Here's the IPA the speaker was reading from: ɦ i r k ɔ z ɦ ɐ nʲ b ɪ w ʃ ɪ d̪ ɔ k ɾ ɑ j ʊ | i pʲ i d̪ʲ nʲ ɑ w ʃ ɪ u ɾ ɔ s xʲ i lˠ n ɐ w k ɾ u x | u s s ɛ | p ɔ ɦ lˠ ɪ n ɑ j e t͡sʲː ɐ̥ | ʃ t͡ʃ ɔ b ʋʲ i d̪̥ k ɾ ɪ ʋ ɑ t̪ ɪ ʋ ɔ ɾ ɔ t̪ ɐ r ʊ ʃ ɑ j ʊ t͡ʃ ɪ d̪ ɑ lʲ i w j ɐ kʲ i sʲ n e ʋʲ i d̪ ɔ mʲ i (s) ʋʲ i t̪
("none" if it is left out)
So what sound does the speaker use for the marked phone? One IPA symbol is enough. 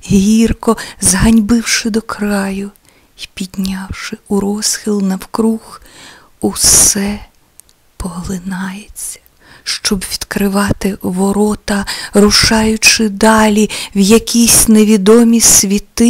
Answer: s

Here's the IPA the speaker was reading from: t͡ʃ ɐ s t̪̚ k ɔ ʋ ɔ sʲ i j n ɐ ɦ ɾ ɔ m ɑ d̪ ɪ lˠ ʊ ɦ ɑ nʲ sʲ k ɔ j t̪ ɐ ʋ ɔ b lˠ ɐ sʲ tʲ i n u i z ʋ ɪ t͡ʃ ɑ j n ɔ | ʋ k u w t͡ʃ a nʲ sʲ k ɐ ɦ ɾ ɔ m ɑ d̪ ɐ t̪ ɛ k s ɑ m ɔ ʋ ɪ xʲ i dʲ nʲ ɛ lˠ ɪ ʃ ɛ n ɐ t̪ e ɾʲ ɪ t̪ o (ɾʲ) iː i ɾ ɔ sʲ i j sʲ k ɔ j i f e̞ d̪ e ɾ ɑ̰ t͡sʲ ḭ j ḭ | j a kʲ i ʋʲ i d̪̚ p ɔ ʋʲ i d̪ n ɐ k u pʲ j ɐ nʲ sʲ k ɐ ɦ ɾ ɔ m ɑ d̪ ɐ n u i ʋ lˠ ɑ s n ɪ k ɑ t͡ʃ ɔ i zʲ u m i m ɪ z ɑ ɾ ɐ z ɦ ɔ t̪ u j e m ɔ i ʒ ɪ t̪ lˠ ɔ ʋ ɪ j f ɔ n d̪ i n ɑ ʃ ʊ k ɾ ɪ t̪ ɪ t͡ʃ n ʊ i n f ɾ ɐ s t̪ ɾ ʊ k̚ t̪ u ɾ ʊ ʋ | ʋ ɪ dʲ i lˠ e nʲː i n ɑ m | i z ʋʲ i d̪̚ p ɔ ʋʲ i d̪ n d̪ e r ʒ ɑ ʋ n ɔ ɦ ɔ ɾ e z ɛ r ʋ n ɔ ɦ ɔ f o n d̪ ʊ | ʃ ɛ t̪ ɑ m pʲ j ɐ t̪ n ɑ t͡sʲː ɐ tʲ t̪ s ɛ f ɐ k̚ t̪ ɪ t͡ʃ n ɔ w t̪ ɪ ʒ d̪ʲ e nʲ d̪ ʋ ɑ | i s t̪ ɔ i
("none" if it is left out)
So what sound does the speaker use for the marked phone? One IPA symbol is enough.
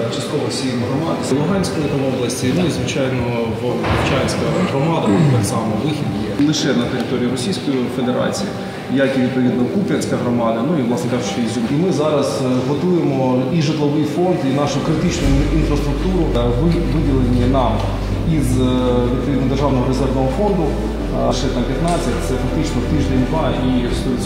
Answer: ɾʲ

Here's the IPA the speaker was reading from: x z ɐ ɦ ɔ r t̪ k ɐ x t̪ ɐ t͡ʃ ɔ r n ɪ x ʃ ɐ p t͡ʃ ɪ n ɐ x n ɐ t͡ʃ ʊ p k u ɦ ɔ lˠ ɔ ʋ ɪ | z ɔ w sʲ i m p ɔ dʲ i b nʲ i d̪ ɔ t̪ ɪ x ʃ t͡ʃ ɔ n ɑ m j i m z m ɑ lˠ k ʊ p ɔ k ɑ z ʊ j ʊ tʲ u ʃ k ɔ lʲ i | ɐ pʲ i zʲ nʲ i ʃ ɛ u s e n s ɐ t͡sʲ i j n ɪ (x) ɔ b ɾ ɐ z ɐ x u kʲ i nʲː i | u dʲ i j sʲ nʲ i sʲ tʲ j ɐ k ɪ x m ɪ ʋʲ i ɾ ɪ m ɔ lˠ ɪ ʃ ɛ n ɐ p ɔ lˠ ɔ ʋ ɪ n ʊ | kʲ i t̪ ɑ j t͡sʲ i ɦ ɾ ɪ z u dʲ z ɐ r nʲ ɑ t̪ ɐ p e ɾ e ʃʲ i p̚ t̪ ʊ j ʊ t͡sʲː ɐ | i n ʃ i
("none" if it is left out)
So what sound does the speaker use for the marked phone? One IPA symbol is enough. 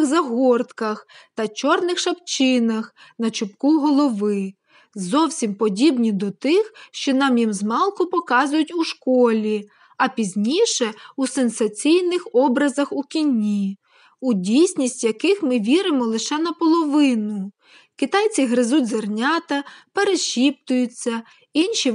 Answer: x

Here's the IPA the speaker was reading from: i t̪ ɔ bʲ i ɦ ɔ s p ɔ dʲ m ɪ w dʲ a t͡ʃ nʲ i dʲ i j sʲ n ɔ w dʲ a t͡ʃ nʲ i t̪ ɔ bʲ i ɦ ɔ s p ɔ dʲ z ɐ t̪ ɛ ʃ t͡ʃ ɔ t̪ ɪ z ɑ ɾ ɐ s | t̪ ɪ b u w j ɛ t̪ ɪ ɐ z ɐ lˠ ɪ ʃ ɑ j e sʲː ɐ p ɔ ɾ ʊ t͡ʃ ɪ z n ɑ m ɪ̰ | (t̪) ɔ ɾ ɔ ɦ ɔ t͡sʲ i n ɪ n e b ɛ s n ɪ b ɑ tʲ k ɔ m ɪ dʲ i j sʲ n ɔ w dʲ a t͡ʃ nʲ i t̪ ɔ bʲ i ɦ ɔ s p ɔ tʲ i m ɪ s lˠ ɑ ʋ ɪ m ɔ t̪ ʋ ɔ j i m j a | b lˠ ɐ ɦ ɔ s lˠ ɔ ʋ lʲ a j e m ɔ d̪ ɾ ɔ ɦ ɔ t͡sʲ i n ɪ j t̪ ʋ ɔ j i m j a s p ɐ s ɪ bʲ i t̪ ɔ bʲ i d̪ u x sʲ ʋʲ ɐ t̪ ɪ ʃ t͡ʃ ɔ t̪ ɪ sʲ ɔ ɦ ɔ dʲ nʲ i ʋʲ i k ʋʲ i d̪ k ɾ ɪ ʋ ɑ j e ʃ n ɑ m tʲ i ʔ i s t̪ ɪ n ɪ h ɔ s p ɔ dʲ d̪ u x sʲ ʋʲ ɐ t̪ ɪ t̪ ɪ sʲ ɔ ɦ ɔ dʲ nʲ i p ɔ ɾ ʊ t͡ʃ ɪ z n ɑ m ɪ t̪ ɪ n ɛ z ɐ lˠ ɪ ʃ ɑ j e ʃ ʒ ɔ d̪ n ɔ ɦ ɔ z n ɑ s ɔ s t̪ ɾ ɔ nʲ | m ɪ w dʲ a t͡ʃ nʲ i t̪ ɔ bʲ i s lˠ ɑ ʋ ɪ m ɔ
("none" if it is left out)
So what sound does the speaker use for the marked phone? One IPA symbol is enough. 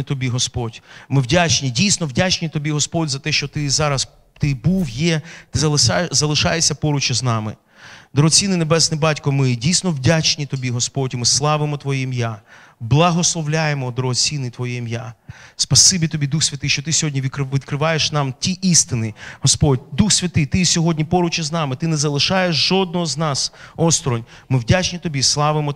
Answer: d̪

